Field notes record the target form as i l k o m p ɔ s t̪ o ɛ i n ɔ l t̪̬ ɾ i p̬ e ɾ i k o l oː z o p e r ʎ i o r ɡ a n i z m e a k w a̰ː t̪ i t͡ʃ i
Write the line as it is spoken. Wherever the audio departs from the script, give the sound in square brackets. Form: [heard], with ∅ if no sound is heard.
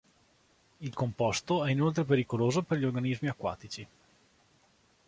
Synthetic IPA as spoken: i l k o m p ɔ s t̪ o ɛ i n [o] l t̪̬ ɾ [e] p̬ e ɾ i k o l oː z o p e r ʎ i o r ɡ a n i z m [i] a k w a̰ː t̪ i t͡ʃ i